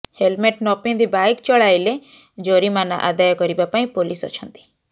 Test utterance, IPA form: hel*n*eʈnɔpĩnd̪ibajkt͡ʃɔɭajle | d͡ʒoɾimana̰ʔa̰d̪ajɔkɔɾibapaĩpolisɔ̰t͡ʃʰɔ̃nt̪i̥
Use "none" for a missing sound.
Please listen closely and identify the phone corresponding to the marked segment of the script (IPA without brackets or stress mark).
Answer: m